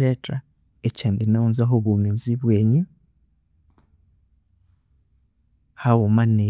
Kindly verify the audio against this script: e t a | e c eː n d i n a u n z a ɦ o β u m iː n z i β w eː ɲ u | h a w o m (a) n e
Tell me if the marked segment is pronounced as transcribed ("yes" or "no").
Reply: yes